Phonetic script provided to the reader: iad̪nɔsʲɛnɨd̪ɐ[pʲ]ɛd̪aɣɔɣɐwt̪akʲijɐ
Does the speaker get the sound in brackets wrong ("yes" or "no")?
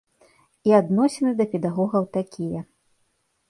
no